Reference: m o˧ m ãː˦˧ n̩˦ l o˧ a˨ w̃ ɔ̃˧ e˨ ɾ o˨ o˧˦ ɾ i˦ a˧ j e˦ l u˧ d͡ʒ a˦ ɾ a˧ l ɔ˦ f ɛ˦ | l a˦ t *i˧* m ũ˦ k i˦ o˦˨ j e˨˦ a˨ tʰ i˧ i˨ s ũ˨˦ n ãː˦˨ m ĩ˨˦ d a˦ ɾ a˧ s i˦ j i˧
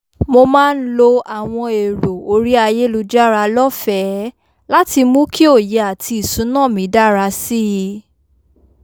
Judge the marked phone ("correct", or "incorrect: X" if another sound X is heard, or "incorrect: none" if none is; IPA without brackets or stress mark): correct